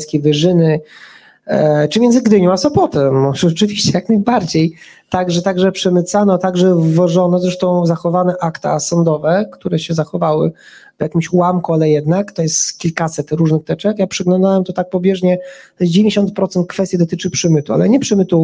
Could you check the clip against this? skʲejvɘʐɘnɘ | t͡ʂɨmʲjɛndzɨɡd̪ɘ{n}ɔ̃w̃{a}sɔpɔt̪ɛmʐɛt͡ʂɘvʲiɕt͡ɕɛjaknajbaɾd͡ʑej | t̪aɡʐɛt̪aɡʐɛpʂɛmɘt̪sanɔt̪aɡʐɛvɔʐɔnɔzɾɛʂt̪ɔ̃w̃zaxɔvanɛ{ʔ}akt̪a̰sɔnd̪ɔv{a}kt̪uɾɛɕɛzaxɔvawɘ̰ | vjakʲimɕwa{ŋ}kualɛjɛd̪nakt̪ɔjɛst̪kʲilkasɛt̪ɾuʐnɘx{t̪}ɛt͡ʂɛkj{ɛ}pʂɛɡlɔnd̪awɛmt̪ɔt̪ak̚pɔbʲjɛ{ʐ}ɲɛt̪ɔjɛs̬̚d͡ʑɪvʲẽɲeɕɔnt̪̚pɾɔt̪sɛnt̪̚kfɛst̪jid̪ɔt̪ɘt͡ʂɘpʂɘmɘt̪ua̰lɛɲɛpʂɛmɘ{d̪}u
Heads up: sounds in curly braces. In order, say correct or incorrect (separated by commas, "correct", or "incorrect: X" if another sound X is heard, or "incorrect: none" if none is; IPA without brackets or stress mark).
incorrect: ɲ, correct, correct, incorrect: ɛ, incorrect: m, correct, incorrect: a, correct, incorrect: t̪